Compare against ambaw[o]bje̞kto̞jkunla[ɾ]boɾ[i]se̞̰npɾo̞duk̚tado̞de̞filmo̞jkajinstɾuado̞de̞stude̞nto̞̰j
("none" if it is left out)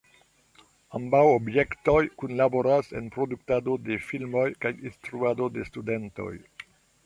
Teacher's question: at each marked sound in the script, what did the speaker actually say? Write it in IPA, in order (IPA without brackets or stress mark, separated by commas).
o, none, a